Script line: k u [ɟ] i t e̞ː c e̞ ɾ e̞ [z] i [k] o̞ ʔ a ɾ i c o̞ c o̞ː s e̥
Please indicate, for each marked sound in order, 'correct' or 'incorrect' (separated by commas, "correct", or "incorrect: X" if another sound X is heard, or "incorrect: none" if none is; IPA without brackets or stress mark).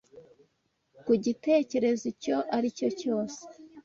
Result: correct, correct, incorrect: c